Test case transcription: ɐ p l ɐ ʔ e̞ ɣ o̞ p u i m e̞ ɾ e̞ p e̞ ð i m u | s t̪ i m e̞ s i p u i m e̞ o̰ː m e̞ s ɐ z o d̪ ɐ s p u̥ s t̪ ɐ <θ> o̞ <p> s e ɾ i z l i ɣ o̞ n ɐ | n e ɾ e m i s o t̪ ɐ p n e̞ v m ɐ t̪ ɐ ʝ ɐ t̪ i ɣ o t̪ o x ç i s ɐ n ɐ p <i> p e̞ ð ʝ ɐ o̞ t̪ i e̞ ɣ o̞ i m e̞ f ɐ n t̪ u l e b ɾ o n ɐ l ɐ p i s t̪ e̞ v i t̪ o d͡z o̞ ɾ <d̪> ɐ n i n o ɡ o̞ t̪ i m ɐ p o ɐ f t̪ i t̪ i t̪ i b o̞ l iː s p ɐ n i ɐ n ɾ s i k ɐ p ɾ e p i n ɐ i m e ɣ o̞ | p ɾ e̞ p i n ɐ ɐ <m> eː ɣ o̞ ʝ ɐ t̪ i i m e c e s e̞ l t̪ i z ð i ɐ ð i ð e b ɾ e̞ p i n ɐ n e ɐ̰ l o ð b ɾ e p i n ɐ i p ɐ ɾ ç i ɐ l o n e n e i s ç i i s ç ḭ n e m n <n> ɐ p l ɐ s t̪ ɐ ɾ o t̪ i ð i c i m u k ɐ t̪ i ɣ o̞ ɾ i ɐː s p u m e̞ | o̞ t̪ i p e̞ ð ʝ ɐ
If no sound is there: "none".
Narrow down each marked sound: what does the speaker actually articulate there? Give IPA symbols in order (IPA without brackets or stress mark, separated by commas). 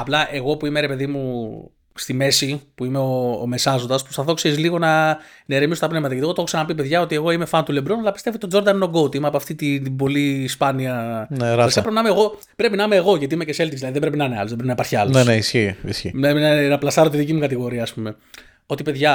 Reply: θ, k, i, d̪, m, n